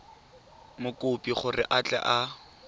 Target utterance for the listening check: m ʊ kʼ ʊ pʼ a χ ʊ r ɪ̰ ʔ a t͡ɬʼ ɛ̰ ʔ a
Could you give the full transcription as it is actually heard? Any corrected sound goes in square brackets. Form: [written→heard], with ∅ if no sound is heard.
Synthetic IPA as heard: m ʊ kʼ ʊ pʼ [a→i] χ ʊ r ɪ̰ ʔ a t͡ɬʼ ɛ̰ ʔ a